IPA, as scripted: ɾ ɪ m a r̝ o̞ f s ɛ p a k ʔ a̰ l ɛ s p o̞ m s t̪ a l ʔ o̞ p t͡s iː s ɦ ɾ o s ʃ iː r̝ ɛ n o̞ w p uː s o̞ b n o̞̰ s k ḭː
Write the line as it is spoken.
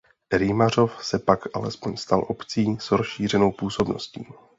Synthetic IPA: ɾ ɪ m a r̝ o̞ f s ɛ p a k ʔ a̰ l ɛ s p o̞ ɲ s t̪ a l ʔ o̞ p t͡s iː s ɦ ɾ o s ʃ iː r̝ ɛ n o̞ w p uː s o̞ b n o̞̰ s c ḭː